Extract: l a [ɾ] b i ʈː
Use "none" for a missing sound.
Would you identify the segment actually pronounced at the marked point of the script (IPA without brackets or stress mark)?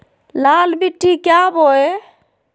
l